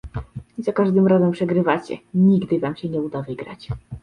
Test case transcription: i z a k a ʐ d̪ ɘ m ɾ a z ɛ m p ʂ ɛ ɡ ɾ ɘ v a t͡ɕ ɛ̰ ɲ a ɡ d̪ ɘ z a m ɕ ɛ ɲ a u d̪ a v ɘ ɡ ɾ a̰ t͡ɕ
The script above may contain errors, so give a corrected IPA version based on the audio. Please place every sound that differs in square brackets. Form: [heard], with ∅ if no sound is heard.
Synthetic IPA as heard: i z a k a ʐ d̪ ɘ m ɾ a z ɛ m p ʂ ɛ ɡ ɾ ɘ v a t͡ɕ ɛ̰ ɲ [i] ɡ d̪ ɘ [v] a m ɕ ɛ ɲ [ɛ] u d̪ a v ɘ ɡ ɾ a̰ t͡ɕ